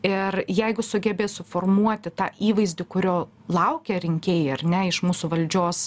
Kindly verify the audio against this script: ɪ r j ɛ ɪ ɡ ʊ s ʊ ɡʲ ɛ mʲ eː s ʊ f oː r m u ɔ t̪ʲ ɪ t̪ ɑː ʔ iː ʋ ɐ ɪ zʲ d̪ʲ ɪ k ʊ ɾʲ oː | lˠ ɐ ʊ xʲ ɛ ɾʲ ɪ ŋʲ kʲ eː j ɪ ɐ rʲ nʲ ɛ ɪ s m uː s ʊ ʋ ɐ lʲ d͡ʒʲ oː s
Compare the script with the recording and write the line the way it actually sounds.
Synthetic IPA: ɪ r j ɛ ɪ ɡ ʊ s ʊ ɡʲ ɛ bʲ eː s ʊ f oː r m u ɔ t̪ʲ ɪ t̪ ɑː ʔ iː ʋ ɐ ɪ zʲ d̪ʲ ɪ k ʊ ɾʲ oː | lˠ ɐ ʊ kʲ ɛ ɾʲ ɪ ŋʲ kʲ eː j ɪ ɐ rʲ nʲ ɛ ɪ ʃ m uː s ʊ ʋ ɐ lʲ d͡ʒʲ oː s